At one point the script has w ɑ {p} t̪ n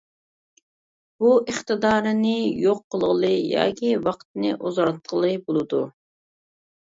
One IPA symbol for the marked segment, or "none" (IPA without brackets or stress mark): q